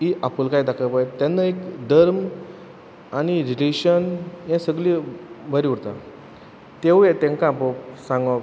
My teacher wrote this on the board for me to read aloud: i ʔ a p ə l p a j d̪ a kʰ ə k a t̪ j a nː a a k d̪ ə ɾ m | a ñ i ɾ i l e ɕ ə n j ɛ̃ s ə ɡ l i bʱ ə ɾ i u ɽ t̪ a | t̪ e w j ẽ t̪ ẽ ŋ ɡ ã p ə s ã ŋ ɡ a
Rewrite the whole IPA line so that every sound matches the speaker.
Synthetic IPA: i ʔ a p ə l k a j d̪ a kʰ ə p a t̪ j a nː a e k d̪ ə ɾ m | a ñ i ɾ i l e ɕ ə n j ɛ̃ s ə ɡ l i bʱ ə ɾ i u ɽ t̪ a | t̪ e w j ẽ t̪ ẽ ŋ k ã p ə s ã ŋ ɡ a